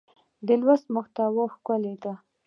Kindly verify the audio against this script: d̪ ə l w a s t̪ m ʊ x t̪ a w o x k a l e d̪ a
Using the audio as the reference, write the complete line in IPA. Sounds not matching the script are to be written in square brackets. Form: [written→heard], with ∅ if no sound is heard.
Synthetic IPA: d̪ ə l w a s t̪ m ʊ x t̪ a w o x k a l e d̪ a